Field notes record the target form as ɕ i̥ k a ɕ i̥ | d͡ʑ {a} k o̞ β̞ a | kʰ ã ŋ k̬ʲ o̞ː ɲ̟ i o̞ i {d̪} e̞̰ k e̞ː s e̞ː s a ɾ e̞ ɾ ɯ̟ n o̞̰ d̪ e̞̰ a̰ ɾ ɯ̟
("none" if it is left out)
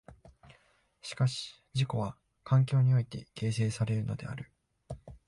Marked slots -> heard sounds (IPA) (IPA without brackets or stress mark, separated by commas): i, t̪